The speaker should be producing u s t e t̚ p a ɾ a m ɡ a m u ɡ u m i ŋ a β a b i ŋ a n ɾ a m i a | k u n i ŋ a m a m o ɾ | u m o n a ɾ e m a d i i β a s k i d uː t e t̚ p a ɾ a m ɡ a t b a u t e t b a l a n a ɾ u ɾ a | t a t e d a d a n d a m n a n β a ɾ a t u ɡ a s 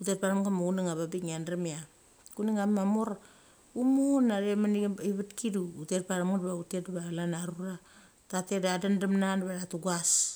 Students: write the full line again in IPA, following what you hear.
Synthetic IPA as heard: u t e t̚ p a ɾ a m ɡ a m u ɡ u n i ŋ a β a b i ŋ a n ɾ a m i a | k u n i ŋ a m a m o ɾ | u m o n a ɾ e m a n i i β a t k i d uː t e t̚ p a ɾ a m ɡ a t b a u t e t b a l a n a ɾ u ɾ a | t a t e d a d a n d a m n a n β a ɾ a t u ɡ a s